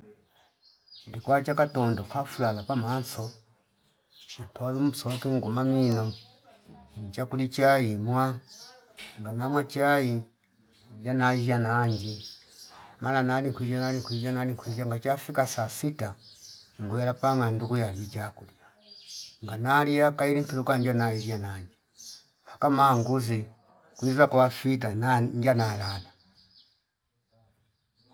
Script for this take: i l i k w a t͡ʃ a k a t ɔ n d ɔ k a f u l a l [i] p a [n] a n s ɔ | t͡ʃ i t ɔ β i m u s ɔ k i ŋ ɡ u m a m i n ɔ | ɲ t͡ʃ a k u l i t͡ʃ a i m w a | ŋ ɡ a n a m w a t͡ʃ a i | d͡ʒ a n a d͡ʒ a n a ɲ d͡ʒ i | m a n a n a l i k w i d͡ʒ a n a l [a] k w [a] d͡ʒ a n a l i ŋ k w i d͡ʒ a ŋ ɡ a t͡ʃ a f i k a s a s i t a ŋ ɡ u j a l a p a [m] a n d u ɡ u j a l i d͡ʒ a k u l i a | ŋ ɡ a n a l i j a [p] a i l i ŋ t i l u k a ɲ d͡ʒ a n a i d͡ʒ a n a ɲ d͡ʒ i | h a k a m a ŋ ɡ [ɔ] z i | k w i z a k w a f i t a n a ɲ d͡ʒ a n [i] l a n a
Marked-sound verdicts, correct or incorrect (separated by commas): incorrect, incorrect, incorrect, incorrect, incorrect, incorrect, incorrect, incorrect